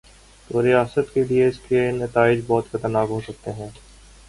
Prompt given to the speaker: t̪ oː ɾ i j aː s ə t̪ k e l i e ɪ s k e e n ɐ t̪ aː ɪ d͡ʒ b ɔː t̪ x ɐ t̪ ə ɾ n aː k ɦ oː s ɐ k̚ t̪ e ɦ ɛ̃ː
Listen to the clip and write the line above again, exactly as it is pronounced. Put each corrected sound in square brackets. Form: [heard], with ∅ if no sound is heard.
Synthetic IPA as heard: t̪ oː ɾ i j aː s ə t̪ k e l i e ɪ s k e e n ɐ t̪ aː ɪ d͡ʒ b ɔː t̪ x ɐ t̪ ə ɾ n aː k ɦ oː s ɐ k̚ t̪ e ɦ ɛ̃ː